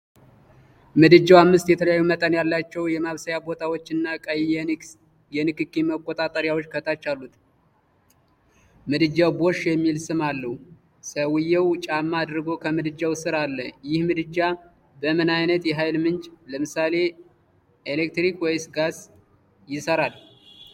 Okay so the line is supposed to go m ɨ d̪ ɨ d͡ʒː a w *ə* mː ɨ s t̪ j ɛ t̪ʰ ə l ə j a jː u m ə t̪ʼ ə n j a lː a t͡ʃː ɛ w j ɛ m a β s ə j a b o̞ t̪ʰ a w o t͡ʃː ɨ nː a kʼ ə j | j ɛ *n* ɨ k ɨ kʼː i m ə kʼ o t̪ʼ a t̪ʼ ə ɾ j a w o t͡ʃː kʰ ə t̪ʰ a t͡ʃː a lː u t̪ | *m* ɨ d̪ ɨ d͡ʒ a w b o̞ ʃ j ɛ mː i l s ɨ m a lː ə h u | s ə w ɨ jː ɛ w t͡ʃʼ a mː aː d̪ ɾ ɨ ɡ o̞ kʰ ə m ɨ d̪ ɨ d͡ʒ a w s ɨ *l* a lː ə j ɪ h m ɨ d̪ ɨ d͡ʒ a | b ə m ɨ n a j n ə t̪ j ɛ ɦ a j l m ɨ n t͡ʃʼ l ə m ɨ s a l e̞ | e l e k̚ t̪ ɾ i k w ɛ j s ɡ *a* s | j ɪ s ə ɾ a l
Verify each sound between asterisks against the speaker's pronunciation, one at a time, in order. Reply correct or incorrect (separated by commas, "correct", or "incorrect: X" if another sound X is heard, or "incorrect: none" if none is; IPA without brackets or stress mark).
incorrect: a, correct, correct, incorrect: ɾ, correct